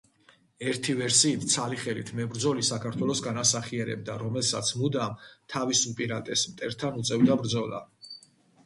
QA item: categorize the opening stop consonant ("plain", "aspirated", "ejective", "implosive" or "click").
aspirated